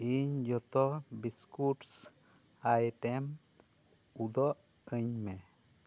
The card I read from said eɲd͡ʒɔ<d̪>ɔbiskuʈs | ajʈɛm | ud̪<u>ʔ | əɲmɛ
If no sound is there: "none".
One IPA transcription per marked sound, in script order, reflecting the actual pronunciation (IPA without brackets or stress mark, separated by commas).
t̪, ɔ